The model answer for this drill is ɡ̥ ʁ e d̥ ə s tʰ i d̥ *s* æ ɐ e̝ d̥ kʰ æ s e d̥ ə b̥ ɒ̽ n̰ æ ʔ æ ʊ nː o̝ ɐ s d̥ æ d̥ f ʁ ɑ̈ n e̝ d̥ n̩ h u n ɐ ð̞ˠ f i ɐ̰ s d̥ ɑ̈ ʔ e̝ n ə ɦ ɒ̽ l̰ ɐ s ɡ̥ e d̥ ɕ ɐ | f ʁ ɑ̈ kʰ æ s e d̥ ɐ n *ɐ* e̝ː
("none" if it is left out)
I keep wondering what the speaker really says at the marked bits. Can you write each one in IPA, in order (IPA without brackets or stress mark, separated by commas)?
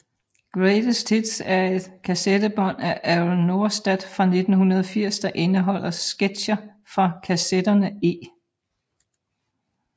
s, ə